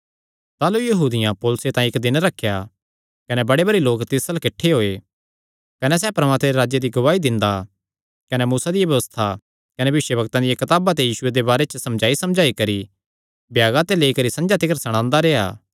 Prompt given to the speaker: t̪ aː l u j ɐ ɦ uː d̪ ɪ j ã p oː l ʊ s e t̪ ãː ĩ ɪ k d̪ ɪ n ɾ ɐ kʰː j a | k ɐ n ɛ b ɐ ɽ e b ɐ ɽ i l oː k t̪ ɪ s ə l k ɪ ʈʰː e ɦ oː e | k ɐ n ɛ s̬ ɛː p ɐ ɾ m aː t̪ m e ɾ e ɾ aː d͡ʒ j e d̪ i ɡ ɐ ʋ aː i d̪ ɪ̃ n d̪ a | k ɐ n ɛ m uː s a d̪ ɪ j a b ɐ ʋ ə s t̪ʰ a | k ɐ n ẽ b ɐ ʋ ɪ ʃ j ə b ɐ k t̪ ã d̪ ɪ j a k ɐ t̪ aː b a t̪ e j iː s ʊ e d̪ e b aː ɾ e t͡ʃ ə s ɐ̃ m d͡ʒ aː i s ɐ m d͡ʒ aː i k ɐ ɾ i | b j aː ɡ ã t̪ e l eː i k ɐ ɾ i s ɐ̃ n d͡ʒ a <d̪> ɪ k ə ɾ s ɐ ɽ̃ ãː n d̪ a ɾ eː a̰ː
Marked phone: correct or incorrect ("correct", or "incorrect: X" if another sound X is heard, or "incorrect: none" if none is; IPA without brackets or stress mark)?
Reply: incorrect: t̪